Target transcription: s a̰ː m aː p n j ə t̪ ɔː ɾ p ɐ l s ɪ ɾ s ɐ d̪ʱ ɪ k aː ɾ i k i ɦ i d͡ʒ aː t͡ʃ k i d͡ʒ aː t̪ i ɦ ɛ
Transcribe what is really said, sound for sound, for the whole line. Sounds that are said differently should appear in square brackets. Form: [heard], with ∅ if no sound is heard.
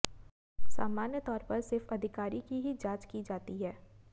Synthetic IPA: s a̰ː m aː [∅] n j ə t̪ ɔː ɾ p ɐ [ɾ] s ɪ ɾ [f] ɐ d̪ʱ ɪ k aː ɾ i k i ɦ i d͡ʒ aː t͡ʃ k i d͡ʒ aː t̪ i ɦ [ɛː]